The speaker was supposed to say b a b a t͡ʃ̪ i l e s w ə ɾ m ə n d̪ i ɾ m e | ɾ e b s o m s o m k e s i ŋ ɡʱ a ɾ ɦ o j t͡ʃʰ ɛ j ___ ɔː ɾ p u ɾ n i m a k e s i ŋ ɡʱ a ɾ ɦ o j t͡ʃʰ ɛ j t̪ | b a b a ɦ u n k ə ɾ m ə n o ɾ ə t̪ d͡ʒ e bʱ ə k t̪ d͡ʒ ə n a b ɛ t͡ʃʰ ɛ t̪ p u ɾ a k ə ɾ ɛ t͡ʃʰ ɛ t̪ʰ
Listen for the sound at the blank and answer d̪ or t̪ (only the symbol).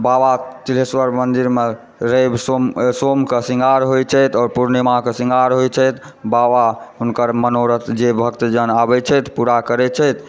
t̪